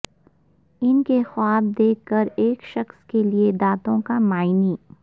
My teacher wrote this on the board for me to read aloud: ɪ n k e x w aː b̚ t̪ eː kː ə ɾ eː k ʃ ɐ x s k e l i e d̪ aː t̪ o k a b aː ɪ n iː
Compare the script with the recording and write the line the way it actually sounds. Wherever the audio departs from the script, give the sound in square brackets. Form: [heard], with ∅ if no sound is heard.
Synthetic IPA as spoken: ɪ n k e x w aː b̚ [d̪] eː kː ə ɾ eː k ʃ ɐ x s k e l i e d̪ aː t̪ [õ] k a [m] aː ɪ n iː